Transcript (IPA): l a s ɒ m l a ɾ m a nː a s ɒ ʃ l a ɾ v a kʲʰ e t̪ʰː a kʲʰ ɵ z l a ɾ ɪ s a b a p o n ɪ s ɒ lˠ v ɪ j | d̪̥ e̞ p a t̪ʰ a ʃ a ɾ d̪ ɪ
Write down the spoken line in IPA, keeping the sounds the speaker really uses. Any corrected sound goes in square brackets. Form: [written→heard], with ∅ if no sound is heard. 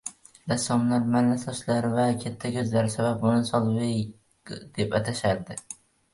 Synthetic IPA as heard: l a s ɒ m l a ɾ m a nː a s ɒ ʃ l a ɾ v a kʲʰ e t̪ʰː a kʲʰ ɵ z l a ɾ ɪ s a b a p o n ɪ s ɒ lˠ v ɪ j | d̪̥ e̞ p a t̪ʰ a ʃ a ɾ d̪ ɪ